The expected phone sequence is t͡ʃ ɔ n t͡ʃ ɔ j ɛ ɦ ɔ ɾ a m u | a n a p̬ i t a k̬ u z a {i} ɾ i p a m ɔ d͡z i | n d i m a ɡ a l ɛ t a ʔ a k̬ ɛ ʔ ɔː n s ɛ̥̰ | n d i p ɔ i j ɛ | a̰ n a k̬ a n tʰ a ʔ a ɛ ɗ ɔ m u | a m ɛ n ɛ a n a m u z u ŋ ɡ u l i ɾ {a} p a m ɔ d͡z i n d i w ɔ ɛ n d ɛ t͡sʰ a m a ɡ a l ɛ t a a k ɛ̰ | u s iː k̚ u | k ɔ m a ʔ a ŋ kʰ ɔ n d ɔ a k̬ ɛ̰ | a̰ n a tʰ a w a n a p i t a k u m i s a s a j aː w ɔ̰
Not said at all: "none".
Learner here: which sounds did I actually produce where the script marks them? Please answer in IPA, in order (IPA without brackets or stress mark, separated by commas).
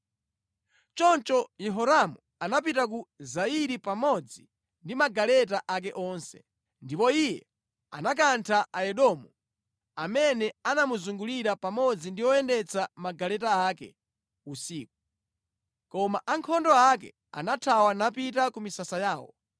i, a